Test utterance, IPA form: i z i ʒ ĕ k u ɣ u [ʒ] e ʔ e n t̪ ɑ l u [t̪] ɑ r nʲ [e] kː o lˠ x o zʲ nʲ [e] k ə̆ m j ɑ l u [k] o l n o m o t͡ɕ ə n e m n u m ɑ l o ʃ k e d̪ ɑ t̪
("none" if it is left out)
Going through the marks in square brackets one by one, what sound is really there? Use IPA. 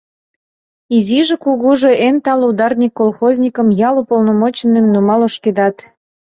ʒ, d̪, i, i, p

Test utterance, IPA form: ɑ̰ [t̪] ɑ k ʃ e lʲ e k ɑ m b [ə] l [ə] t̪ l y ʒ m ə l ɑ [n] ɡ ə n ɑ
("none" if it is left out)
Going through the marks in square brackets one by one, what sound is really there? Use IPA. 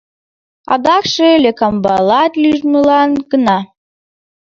d̪, ɑ, ɑ, n

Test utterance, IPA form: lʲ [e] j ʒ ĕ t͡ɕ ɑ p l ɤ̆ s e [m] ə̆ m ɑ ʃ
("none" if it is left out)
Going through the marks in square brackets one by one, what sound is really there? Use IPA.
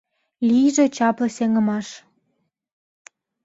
i, ŋ

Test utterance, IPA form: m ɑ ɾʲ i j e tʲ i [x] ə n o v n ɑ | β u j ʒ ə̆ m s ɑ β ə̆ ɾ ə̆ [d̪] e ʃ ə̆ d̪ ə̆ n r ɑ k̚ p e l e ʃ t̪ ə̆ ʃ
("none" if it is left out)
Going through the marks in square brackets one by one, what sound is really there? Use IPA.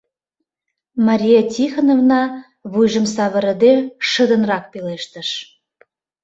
x, d̪

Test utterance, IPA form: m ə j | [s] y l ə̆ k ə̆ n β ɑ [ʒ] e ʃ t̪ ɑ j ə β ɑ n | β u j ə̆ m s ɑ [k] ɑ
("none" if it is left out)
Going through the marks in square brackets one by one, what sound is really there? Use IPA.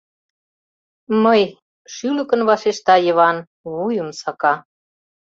ʃ, ʃ, k

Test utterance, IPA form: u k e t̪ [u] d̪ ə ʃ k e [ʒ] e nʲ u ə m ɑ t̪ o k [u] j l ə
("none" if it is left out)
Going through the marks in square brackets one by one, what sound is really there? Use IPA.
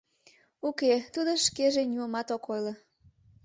u, ʒ, o

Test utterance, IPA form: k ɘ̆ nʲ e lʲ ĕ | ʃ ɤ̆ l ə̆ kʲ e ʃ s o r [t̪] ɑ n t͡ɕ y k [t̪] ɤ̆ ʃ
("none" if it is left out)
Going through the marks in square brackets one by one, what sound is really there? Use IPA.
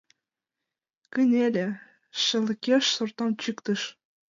t̪, t̪

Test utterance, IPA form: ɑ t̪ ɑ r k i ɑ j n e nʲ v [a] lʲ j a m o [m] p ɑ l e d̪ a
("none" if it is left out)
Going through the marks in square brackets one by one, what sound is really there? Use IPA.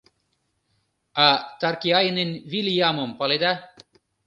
i, m

